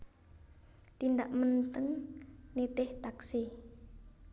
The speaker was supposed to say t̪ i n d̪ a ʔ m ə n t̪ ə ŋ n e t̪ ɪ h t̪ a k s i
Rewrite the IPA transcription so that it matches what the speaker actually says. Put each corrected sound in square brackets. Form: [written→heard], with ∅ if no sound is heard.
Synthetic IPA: t̪ i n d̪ a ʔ m ə n t̪ ə ŋ n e t̪ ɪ h t̪ a k s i